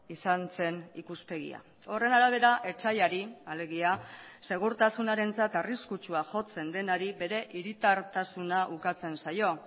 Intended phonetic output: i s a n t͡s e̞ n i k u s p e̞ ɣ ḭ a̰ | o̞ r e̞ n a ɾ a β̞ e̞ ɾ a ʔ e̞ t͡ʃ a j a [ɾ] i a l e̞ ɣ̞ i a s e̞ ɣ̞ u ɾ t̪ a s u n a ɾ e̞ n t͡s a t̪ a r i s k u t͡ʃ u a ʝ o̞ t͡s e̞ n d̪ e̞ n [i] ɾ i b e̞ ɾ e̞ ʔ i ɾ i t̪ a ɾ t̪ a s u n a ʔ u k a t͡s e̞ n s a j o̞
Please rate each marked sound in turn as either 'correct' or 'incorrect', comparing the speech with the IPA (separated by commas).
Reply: correct, incorrect